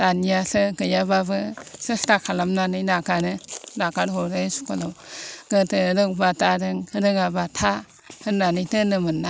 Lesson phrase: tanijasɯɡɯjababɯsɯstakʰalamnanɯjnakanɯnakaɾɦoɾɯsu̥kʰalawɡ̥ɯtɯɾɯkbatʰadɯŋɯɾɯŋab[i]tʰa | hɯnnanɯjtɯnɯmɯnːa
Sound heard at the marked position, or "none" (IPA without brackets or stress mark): a